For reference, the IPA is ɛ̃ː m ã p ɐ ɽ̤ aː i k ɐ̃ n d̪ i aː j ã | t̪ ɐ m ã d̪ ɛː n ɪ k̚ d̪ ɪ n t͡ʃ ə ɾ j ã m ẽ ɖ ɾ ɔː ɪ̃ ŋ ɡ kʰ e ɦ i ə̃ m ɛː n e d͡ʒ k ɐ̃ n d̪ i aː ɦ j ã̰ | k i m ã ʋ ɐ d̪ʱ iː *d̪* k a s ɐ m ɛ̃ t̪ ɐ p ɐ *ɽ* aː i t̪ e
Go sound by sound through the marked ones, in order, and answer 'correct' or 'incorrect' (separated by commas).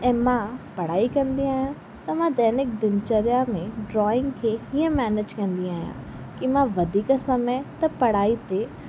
incorrect, correct